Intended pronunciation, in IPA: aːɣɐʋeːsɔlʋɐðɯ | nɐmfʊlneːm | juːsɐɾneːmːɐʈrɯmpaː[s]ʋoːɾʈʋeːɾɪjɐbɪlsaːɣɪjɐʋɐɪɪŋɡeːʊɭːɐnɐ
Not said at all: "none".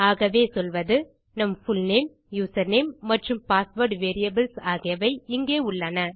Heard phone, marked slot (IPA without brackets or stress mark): s